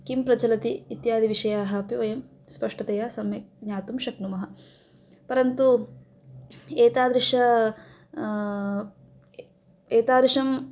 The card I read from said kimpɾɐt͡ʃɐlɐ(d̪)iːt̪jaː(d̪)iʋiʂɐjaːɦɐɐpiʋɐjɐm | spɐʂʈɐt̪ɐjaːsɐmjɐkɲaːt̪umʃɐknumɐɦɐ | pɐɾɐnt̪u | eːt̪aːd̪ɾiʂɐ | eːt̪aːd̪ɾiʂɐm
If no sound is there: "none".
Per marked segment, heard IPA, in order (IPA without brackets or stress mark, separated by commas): t̪, d̪